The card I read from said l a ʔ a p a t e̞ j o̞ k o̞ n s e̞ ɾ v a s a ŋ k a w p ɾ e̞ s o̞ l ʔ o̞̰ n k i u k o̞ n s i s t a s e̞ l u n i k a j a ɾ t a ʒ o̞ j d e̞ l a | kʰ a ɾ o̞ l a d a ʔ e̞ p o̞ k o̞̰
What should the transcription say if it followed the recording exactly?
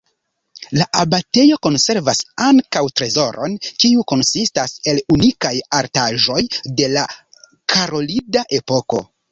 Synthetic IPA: l a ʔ a b a t e̞ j o̞ k o̞ n s e̞ ɾ v a s a ŋ k a w t ɾ e̞ z o̞ ɾ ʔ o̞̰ n k i u k o̞ n s i s t a s e̞ l u n i k a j a ɾ t a ʒ o̞ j d e̞ l a | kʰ a ɾ o̞ l i d a ʔ e̞ p o̞ k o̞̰

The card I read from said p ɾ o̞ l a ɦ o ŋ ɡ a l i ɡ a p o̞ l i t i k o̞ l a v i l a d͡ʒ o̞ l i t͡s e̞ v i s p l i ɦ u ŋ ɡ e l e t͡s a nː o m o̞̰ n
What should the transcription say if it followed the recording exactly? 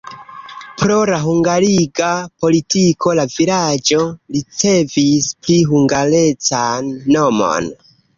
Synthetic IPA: p ɾ o̞ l a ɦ u ŋ ɡ a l i ɡ a p o̞ l i t i k o̞ l a v i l a d͡ʒ o̞ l i t͡s e̞ v i s p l i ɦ u ŋ ɡ a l e t͡s a nː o m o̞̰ n

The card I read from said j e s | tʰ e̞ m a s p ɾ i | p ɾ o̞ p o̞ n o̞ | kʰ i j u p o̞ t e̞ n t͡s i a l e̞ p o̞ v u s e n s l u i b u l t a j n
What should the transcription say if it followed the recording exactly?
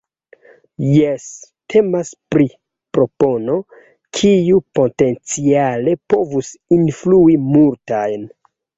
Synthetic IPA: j e s | tʰ e̞ m a s p ɾ i | p ɾ o̞ p o̞ n o̞ | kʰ i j u p o̞ t e̞ n t͡s i a l e̞ p o̞ v u s i n f l u i m u l t a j n

